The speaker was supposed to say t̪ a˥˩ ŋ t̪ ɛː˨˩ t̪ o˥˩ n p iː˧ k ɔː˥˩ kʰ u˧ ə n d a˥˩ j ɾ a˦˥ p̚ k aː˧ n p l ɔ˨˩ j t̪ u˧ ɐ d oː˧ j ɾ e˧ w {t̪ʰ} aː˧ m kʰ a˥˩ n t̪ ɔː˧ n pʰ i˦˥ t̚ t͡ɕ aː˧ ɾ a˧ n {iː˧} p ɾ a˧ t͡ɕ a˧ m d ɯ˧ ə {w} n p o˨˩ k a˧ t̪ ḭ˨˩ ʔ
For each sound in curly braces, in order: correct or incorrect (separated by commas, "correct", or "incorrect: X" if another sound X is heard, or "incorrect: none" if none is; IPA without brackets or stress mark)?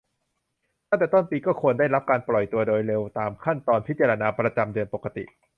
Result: incorrect: t̪, incorrect: aː˧, incorrect: none